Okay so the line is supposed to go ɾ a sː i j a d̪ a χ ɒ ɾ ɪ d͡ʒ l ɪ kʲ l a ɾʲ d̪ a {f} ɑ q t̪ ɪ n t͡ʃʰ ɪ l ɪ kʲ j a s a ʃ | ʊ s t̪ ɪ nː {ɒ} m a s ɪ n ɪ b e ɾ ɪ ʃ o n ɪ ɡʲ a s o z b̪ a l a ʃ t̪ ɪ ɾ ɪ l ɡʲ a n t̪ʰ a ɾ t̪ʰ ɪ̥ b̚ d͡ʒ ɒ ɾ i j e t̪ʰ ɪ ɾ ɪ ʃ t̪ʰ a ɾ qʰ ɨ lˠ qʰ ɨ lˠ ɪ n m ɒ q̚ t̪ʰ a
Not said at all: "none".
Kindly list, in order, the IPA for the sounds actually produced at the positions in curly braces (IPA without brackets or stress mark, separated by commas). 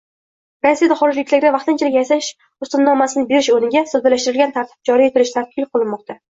v, ɒ